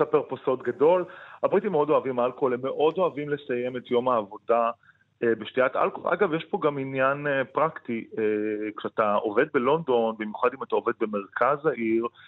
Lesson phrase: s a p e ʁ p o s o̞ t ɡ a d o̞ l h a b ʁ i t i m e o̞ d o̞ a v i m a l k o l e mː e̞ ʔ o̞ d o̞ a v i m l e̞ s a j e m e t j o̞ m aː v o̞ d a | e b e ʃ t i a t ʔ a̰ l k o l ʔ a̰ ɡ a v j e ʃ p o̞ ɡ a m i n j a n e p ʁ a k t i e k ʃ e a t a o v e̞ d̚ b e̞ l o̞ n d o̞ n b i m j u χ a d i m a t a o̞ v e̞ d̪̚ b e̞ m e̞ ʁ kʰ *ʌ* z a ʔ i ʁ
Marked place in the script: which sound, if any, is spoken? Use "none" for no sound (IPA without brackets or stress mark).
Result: a